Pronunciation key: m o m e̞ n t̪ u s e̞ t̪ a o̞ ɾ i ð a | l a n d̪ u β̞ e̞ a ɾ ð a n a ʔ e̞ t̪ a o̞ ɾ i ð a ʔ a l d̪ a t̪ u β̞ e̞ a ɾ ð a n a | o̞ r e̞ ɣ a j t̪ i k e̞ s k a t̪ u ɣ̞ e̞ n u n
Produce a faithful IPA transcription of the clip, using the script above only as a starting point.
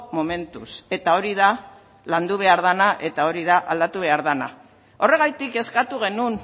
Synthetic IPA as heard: m o m e̞ n t̪ u s e̞ t̪ a o̞ ɾ i ð a | l a n d̪ u β̞ e̞ a ɾ ð a n a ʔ e̞ t̪ a o̞ ɾ i ð a ʔ a l d̪ a t̪ u β̞ e̞ a ɾ ð a n a | o̞ r e̞ ɣ a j t̪ i k e̞ s k a t̪ u ɣ̞ e̞ n u n